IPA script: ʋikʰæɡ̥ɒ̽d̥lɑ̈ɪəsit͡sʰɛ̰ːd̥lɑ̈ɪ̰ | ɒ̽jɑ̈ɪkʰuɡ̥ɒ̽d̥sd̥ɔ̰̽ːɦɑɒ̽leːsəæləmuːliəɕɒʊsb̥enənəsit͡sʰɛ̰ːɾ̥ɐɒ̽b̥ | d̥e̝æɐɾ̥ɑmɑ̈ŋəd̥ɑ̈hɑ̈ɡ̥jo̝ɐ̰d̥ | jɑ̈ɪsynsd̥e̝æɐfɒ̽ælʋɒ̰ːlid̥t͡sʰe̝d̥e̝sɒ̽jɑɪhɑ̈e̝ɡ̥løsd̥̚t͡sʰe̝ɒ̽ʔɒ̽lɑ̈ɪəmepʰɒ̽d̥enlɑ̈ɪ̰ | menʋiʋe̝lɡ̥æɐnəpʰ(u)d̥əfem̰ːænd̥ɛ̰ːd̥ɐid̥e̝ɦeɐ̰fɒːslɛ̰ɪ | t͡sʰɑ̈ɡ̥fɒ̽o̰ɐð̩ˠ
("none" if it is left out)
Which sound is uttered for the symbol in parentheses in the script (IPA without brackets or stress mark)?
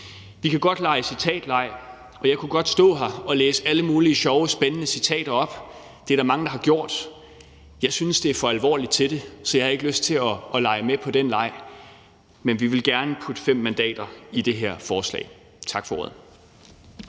u